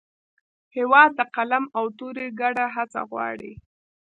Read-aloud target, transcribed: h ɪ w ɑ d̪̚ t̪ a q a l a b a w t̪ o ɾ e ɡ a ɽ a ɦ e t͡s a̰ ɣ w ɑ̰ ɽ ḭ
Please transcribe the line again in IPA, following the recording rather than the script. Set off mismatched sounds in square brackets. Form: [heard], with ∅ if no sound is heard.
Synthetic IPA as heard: h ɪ w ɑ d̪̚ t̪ a q a l a [m] a w t̪ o ɾ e ɡ a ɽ a ɦ [a] t͡s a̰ ɣ w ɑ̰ ɽ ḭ